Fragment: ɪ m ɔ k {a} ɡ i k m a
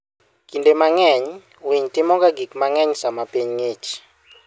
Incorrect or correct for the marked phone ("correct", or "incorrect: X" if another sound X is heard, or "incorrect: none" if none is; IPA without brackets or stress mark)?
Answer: correct